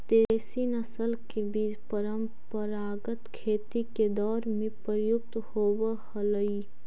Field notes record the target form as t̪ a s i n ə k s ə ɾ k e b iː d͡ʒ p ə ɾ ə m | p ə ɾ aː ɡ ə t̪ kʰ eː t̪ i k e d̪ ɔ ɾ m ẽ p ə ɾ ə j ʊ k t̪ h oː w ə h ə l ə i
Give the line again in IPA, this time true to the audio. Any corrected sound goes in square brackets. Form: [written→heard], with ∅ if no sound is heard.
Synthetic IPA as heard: t̪ [a→e] s i n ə [k→∅] s ə [ɾ→l] k e b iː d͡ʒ p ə ɾ ə m | p ə ɾ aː ɡ ə t̪ kʰ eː t̪ i k e d̪ [ɔ→ɔː] ɾ m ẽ p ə ɾ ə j ʊ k t̪ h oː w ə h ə l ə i